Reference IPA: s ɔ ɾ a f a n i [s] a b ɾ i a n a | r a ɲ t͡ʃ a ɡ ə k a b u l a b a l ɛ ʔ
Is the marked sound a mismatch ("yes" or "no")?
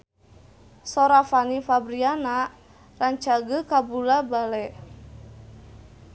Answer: yes